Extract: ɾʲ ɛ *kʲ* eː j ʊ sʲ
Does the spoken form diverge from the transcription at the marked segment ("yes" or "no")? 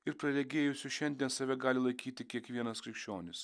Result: yes